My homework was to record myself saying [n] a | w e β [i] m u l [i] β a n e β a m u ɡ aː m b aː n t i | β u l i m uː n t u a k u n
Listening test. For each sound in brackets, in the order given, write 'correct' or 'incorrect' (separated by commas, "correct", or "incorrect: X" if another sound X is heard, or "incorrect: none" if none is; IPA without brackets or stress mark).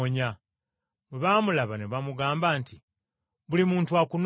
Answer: incorrect: ɲ, incorrect: a, incorrect: a